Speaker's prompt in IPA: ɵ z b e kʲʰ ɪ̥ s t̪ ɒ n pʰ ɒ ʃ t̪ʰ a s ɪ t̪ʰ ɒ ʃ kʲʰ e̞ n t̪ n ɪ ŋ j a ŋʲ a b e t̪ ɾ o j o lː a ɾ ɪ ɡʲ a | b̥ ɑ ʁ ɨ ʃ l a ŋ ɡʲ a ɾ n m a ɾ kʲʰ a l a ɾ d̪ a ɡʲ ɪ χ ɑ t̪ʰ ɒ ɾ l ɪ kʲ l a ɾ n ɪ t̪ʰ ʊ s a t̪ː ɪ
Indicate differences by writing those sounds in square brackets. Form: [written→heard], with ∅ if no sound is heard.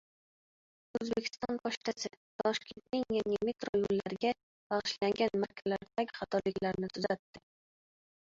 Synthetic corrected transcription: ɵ z b e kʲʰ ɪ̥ s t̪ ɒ n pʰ ɒ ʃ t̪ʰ a s ɪ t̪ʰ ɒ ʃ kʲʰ e̞ n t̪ n ɪ ŋ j a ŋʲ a [b→m] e t̪ ɾ o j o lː a ɾ ɪ ɡʲ a | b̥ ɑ ʁ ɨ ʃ l a ŋ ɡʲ a [ɾ→∅] n m a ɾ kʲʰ a l a ɾ d̪ a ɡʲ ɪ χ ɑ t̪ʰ ɒ ɾ l ɪ kʲ l a ɾ n ɪ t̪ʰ ʊ [s→z] a t̪ː ɪ